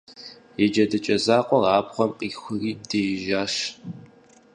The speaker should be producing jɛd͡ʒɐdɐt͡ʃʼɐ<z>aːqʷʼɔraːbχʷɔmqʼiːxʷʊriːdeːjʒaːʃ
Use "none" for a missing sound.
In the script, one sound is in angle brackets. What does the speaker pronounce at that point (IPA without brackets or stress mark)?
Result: z